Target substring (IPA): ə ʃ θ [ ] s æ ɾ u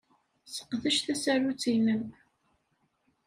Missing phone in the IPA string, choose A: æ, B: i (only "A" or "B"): A